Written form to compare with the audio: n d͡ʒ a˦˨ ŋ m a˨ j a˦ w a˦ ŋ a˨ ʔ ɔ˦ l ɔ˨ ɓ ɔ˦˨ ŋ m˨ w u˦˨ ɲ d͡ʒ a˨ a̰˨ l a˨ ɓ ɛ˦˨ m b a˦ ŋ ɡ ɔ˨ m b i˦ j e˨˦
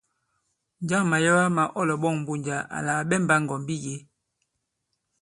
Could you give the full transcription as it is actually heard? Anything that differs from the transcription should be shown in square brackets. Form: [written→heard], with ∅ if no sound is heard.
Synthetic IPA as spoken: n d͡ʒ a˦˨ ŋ m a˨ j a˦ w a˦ [ŋ→m] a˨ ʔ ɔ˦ l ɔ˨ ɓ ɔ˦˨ ŋ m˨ [w→b] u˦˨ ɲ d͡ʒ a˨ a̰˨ l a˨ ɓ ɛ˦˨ m b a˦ ŋ ɡ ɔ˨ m b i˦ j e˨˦